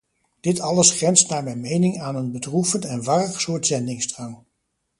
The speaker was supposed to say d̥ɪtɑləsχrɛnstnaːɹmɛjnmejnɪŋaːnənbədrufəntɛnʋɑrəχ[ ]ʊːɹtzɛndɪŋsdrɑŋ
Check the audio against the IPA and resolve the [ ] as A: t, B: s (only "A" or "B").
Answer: B